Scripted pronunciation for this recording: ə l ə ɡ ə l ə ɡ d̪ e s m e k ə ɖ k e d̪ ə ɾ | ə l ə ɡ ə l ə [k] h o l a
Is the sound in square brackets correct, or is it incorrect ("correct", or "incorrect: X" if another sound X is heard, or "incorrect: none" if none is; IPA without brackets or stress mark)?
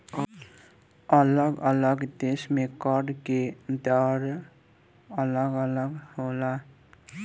incorrect: ɡ